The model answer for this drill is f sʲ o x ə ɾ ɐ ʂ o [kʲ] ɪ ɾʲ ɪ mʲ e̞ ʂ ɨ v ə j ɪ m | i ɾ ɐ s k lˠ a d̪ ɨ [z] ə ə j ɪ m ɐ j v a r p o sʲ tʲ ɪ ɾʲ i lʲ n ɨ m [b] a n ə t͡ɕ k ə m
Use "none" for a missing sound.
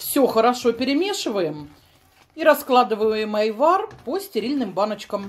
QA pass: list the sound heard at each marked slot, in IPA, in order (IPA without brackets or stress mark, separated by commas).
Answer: pʲ, v, b